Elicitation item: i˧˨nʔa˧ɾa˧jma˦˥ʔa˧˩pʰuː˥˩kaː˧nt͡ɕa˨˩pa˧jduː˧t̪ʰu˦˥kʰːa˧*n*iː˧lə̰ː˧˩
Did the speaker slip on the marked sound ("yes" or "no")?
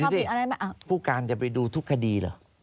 yes